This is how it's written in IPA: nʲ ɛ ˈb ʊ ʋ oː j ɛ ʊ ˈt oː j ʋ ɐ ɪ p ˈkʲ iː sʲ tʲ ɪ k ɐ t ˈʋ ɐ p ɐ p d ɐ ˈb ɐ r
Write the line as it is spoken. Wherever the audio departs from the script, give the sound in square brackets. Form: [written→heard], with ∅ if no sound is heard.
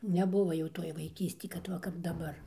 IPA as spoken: nʲ ɛ ˈb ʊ ʋ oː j ɛ ʊ ˈt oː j ʋ ɐ ɪ [p→∅] ˈkʲ iː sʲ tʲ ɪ k ɐ t ˈʋ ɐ [p→k] ɐ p d ɐ ˈb ɐ r